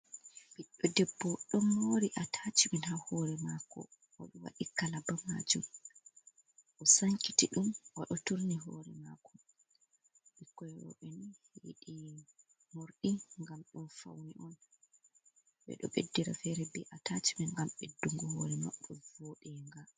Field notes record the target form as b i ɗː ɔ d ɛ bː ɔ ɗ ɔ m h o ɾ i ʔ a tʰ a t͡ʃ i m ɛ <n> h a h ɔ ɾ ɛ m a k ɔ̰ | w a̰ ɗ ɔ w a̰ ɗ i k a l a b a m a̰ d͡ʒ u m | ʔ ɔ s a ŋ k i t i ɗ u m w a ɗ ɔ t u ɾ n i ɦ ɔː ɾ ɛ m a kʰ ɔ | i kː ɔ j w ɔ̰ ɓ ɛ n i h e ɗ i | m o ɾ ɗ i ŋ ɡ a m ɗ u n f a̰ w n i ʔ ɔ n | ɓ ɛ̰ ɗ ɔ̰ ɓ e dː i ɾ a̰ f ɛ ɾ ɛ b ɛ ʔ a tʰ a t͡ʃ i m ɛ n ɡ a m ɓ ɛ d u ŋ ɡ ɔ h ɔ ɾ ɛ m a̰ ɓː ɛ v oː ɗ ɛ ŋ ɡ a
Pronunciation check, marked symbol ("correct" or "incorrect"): correct